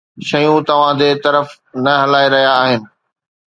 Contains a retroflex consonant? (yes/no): no